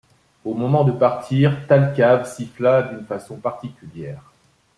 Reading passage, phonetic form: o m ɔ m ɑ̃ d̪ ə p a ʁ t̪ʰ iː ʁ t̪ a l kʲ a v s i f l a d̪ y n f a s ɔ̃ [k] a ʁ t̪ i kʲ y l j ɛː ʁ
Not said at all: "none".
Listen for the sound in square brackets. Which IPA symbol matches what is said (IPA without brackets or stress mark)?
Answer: p